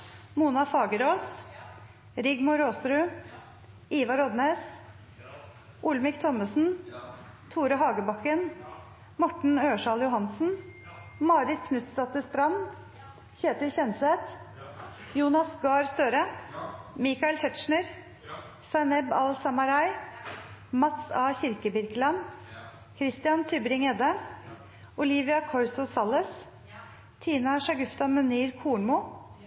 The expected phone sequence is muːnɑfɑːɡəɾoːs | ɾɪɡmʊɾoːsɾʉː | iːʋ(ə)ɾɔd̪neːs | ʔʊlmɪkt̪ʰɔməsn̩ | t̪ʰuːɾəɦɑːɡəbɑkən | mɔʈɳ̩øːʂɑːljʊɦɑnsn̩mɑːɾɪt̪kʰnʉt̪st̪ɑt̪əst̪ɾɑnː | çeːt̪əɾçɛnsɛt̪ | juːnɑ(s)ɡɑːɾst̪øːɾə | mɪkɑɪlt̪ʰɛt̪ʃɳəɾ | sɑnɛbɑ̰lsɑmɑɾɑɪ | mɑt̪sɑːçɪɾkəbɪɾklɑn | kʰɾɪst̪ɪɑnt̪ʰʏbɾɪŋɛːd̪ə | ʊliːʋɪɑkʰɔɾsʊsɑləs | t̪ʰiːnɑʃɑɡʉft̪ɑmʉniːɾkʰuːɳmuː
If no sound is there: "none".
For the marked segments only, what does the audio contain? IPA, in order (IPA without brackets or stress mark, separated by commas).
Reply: ɑ, s